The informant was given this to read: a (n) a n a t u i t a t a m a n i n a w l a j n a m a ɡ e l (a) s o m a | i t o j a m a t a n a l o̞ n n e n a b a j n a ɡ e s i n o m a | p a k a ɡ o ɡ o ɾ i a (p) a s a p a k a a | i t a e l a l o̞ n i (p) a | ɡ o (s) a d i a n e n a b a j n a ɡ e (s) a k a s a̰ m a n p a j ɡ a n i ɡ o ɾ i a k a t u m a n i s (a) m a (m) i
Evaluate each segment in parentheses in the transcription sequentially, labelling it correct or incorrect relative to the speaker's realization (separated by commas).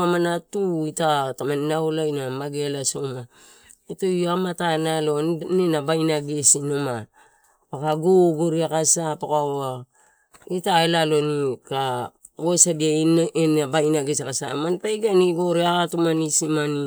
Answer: incorrect, correct, incorrect, incorrect, correct, correct, incorrect, incorrect